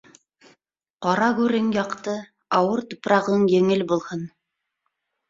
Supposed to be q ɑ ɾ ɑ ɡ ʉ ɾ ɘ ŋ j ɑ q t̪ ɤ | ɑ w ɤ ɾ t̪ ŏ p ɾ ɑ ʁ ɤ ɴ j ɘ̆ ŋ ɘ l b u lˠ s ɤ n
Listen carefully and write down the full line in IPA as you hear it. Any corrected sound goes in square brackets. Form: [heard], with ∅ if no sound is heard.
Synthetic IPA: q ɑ ɾ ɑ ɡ ʉ ɾ ɘ ŋ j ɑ q t̪ ɤ | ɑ w ɤ ɾ t̪ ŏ p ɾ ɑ ʁ ɤ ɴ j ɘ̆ ŋ ɘ l b u lˠ [h] ɤ n